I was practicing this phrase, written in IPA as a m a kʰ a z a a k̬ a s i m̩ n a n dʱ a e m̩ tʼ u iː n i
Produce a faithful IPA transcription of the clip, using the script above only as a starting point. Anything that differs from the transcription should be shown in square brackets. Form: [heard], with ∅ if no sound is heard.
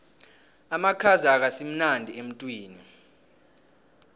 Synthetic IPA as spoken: a m a kʰ a z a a k̬ a s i m̩ n a n dʱ [i] e m̩ tʼ [w] iː n i